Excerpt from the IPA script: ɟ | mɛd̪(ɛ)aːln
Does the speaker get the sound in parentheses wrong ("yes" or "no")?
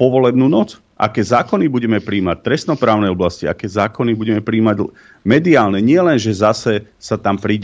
yes